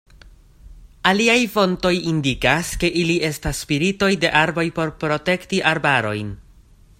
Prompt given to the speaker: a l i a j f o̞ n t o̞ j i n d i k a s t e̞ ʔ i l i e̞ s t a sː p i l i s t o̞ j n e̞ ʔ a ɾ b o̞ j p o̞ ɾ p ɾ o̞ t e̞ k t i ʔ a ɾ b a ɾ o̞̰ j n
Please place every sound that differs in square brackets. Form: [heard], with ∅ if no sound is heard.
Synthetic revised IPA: a l i a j f o̞ n t o̞ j i n d i k a s [k] e̞ ʔ i l i e̞ s t a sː p i [ɾ] i [∅] t o̞ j [d] e̞ ʔ a ɾ b o̞ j p o̞ ɾ p ɾ o̞ t e̞ k t i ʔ a ɾ b a ɾ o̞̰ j n